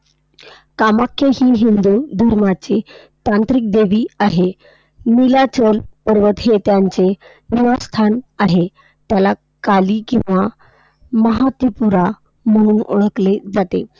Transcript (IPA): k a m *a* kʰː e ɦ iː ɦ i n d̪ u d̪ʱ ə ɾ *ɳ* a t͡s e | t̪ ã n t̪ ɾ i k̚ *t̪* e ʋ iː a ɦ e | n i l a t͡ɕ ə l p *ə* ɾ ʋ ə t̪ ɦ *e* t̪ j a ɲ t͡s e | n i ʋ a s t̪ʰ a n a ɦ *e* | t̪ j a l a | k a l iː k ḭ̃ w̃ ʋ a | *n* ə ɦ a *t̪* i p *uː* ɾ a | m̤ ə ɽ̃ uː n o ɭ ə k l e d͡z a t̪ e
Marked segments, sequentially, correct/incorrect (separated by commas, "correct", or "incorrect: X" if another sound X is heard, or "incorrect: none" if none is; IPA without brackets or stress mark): correct, incorrect: m, incorrect: d̪, correct, correct, correct, incorrect: m, correct, incorrect: u